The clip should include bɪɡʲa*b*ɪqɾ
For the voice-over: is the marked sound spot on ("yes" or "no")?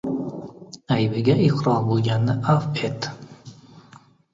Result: no